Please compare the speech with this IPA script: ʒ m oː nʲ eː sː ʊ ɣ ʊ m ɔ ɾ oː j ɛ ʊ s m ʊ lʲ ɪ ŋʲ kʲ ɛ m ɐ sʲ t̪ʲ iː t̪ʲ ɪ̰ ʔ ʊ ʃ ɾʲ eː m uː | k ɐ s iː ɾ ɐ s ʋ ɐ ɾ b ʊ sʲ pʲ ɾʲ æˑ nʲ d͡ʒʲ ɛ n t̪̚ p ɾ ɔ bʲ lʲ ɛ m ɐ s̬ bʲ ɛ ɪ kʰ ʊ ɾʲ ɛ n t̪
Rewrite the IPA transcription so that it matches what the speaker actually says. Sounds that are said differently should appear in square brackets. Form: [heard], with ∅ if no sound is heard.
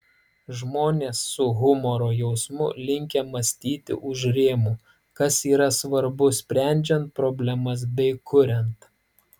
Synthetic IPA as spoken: ʒ m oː nʲ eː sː ʊ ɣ ʊ m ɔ ɾ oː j ɛ ʊ s m ʊ lʲ ɪ ŋʲ kʲ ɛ m ɐ sʲ t̪ʲ iː t̪ʲ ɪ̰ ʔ ʊ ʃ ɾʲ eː m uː | k ɐ s iː ɾ ɐ s ʋ ɐ ɾ b ʊ sʲ pʲ ɾʲ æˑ nʲ d͡ʒʲ ɛ n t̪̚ p ɾ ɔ bʲ lʲ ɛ m ɐ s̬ bʲ ɛ ɪ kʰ ʊ ɾʲ ɛ n t̪